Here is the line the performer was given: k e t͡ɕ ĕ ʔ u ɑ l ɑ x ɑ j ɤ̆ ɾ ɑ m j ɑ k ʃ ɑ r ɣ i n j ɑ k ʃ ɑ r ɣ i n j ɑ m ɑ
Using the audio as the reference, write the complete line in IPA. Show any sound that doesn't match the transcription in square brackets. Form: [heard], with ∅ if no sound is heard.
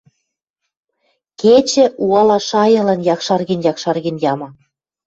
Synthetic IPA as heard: k e t͡ɕ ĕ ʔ u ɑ l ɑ [ʃ] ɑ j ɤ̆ [l] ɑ [n] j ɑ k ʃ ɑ r ɣ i n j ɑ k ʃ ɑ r ɣ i n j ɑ m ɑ